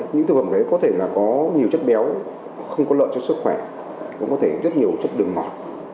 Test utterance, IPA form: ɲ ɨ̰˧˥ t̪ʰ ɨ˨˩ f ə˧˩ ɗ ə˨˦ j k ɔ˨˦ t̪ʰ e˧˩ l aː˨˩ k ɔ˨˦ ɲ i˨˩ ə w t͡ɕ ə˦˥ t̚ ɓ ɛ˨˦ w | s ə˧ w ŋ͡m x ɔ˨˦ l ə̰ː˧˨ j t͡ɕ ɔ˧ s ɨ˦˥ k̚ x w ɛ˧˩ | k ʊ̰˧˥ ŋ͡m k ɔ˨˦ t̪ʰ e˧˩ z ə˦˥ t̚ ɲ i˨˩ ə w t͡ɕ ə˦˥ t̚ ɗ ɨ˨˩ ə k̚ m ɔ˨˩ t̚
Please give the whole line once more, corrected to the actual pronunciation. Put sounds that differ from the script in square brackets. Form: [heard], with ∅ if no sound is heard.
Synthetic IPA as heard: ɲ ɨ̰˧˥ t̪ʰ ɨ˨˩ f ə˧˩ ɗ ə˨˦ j k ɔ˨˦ t̪ʰ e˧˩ l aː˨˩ k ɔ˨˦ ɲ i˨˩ ə w t͡ɕ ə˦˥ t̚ ɓ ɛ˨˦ w | [x] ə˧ w ŋ͡m [k] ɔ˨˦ l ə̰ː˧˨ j t͡ɕ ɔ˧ s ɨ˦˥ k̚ x w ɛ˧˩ | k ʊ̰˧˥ ŋ͡m k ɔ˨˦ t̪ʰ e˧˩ z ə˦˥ t̚ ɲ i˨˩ ə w t͡ɕ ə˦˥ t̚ ɗ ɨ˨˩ ə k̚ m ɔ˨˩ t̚